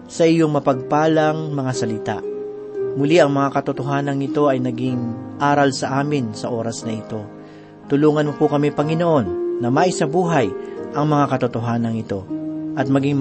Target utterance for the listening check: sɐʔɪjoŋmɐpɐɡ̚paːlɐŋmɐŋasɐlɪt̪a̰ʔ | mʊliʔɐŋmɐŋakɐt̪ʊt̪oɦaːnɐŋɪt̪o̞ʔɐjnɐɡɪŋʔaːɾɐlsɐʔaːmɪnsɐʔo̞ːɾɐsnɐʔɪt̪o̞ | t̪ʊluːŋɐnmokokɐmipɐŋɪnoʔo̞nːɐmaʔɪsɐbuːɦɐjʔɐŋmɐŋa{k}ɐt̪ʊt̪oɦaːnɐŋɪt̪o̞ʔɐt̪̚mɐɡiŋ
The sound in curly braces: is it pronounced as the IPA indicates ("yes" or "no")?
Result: yes